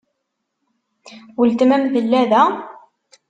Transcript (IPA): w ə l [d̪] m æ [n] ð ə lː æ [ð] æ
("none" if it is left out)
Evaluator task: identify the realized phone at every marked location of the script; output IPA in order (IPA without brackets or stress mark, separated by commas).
t̪, m, ð